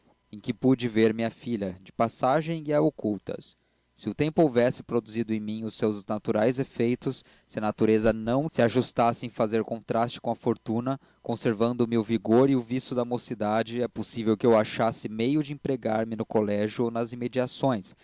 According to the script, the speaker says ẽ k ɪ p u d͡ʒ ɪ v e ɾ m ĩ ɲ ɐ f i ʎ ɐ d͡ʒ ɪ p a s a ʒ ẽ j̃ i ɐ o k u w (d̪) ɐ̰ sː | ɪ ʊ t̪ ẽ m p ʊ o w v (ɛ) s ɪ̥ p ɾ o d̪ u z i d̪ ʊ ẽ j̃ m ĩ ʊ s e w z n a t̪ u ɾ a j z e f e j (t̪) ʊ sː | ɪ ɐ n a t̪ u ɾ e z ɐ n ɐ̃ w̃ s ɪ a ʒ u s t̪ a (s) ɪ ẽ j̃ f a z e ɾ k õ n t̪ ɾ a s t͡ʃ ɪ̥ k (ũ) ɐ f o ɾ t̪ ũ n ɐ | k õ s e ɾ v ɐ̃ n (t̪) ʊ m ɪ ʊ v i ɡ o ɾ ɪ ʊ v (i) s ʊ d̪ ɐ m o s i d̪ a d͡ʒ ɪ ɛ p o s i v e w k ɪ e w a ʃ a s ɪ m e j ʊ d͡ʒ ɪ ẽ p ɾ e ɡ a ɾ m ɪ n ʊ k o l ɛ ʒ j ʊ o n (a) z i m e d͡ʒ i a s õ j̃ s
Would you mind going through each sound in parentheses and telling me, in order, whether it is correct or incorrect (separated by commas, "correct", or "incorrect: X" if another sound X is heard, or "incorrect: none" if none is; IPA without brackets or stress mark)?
incorrect: t̪, correct, correct, correct, incorrect: õ, incorrect: d̪, correct, incorrect: ɐ